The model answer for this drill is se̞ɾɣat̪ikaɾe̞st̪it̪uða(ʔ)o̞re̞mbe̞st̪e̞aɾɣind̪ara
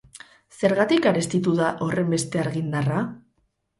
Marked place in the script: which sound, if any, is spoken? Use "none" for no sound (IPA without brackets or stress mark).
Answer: ʔ